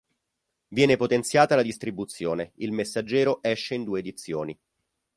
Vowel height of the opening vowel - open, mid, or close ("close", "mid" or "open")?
mid